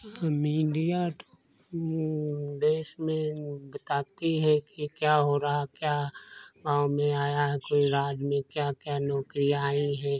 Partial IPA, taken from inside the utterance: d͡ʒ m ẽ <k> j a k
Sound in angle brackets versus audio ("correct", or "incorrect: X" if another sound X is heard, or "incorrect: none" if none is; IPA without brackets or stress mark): correct